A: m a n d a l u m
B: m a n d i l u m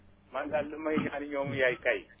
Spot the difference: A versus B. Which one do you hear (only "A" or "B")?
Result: A